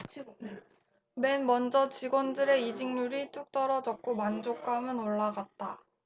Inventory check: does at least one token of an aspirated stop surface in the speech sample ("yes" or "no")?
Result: no